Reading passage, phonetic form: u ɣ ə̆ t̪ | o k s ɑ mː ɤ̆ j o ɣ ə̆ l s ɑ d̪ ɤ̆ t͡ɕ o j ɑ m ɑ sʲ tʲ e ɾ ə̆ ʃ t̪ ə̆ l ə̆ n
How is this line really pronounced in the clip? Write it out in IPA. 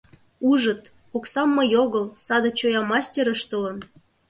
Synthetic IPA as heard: u ʒ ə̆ t̪ | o k s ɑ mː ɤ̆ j o ɣ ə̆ l s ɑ d̪ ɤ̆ t͡ɕ o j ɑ m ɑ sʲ tʲ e ɾ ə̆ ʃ t̪ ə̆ l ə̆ n